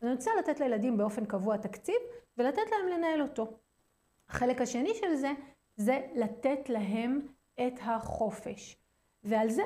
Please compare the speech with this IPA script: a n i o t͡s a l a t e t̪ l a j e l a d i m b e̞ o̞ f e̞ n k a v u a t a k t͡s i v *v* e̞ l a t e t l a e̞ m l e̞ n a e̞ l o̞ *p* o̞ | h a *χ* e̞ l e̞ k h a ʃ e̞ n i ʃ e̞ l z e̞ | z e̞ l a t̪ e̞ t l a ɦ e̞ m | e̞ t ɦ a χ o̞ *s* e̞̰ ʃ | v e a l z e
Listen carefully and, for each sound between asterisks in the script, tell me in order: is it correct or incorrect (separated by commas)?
correct, incorrect, correct, incorrect